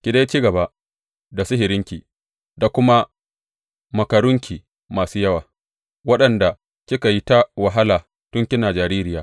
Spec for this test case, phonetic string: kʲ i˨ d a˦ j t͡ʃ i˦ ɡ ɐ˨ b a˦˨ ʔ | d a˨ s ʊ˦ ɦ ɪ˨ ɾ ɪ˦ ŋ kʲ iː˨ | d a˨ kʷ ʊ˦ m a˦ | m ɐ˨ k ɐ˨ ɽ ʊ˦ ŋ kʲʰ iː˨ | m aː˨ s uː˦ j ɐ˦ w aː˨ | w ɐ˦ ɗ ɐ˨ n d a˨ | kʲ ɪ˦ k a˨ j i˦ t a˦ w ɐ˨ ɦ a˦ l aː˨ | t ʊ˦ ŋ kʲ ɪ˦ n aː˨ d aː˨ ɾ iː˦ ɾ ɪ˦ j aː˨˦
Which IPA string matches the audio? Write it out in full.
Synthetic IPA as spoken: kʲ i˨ d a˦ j t͡ʃ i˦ ɡ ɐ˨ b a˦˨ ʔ | d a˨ s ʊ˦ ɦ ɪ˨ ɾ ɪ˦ ŋ kʲ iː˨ | d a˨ kʷ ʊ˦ m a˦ | m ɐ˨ k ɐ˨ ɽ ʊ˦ ŋ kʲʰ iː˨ | m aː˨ s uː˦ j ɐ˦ w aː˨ | w ɐ˦ ɗ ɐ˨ n d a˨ | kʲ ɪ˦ k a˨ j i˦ t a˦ w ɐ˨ ɦ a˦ l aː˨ | t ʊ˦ ŋ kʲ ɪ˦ n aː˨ d͡ʒ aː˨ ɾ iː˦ ɾ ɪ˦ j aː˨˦